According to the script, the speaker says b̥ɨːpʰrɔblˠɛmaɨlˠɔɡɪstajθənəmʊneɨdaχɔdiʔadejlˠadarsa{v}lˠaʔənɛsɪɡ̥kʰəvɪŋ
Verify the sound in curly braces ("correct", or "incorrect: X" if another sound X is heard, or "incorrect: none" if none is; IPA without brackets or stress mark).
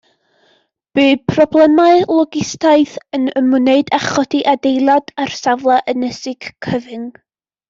correct